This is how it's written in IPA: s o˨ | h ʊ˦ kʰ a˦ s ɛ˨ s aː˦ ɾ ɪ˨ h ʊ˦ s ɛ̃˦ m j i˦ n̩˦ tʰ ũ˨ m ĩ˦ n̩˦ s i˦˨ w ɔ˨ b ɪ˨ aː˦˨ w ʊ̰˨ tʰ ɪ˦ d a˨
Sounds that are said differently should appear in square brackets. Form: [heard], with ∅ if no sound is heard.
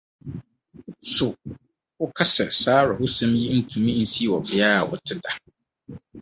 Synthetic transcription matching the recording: s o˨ | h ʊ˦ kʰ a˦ s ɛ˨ s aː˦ ɾ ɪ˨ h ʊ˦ s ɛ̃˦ m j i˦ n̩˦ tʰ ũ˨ m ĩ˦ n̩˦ s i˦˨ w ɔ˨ b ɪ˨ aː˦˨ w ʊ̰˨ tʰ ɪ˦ d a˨